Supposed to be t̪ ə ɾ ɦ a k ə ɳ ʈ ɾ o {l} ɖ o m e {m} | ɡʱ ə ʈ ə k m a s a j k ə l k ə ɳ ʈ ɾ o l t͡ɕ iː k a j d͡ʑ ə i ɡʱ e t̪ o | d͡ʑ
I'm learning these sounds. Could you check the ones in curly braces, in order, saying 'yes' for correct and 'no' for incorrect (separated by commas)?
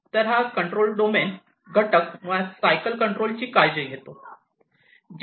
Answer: yes, no